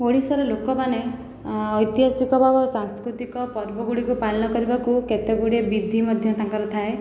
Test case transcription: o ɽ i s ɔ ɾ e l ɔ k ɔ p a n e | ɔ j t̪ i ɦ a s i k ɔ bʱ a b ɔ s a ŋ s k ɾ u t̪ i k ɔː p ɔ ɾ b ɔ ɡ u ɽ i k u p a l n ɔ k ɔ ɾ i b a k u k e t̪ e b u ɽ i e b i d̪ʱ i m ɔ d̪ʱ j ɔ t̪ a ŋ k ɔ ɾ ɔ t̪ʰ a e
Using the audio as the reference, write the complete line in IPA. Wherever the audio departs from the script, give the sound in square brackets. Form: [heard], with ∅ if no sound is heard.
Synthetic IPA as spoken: o ɽ i s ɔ ɾ e l [o] k ɔ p a n e | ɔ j t̪ i ɦ a s i k ɔ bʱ a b ɔ s a ŋ s k ɾ u t̪ i k [ɔ] p ɔ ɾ b ɔ ɡ u ɽ i k u p a l n ɔ k ɔ ɾ i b a k u k e t̪ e [ɡ] u ɽ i e b i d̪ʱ i m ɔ d̪ʱ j ɔ t̪ a ŋ k ɔ ɾ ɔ t̪ʰ a e